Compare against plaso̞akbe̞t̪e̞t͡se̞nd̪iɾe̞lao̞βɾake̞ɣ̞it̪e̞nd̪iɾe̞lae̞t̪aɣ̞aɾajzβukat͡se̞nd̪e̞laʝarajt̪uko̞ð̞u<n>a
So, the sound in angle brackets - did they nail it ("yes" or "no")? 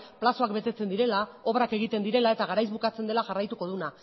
yes